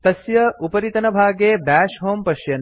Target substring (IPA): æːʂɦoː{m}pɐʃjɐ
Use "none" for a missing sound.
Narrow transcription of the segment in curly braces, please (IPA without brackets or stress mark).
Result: m